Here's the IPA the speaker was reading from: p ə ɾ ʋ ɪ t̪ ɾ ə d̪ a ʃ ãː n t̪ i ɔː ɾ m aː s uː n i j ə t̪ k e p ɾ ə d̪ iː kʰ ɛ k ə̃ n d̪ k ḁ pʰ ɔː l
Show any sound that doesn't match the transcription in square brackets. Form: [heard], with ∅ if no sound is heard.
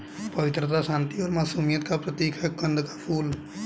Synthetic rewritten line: p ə [∅] ʋ ɪ t̪ ɾ ə [t̪] a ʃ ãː n t̪ i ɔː ɾ m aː s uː [m] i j ə t̪ k [a] p ɾ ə [t̪] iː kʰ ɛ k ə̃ n d̪ k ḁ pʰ [uː] l